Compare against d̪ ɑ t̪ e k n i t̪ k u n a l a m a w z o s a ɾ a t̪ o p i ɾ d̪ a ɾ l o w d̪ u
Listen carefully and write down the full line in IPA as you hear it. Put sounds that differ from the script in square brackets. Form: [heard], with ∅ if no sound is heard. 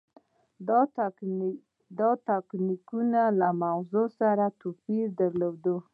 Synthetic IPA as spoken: d̪ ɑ t̪ [a] k n i [∅] k u n a l a m a w z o s a ɾ a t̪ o p i ɾ d̪ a ɾ l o w d̪ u